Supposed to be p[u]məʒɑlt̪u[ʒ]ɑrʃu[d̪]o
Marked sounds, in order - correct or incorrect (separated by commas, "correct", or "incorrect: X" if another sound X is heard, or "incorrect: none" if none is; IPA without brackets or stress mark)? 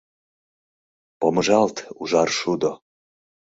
incorrect: o, correct, correct